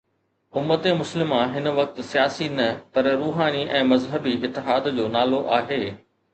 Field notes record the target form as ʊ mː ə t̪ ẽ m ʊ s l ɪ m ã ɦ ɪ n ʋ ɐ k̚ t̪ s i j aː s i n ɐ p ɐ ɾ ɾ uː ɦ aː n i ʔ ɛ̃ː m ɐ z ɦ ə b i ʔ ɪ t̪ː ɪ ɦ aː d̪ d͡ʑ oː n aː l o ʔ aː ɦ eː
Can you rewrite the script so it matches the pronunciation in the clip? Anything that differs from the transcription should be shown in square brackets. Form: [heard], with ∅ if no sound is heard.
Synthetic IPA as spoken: ʊ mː ə t̪ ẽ m ʊ s l ɪ m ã ɦ ɪ n ʋ ɐ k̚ t̪ s i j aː s i n ɐ p ɐ ɾ ɾ uː ɦ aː n i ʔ ɛ̃ː m ɐ z ɦ ə b i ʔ ɪ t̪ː ɪ ɦ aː d̪ d͡ʑ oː n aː l o ʔ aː ɦ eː